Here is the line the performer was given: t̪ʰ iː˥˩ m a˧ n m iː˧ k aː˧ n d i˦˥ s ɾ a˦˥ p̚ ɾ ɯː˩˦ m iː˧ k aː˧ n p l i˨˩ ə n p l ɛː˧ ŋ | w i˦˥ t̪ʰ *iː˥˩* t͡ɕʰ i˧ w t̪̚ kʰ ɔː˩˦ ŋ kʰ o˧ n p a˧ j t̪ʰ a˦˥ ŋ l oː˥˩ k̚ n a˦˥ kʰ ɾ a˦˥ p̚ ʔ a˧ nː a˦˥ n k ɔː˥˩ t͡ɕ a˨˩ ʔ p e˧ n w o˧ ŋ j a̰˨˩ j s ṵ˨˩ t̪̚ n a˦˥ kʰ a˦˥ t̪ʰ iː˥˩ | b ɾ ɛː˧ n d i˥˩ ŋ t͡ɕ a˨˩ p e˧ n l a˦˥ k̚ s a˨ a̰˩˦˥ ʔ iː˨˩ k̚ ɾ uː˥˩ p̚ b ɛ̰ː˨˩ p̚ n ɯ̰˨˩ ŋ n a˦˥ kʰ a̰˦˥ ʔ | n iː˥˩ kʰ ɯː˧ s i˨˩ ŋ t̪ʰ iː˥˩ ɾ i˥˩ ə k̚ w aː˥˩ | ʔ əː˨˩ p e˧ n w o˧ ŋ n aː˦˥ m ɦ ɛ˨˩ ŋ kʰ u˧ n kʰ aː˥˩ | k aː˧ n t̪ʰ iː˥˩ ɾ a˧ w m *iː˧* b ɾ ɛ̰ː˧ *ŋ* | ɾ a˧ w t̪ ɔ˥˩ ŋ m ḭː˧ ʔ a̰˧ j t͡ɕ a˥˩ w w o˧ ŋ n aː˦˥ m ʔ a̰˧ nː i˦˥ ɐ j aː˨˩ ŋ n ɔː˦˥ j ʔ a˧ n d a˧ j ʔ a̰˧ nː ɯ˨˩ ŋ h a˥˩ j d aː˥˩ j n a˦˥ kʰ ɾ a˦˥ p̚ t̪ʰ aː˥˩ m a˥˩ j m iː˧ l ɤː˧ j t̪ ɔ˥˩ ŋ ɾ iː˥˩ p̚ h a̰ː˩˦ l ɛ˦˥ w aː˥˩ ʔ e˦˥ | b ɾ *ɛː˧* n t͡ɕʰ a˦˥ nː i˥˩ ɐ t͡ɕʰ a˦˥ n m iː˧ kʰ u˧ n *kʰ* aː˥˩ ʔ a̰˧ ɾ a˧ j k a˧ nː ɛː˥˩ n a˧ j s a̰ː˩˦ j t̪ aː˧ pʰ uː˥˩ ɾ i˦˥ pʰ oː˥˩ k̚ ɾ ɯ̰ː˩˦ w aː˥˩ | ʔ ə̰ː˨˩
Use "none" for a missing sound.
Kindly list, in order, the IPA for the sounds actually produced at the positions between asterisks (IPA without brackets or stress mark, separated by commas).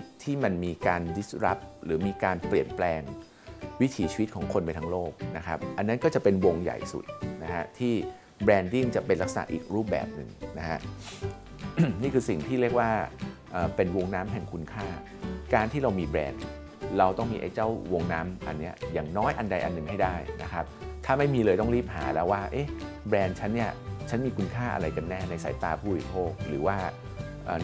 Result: iː˩˦, iː˧, n, ɛː˧, kʰ